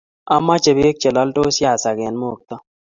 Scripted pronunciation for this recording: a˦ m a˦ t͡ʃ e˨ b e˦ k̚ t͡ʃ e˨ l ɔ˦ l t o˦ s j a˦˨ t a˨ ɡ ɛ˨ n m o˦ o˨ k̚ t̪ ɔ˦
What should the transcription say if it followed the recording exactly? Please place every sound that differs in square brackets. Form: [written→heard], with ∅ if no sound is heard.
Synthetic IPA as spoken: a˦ m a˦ t͡ʃ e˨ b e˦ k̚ t͡ʃ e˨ l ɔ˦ l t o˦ s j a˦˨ [t→s] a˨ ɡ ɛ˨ n m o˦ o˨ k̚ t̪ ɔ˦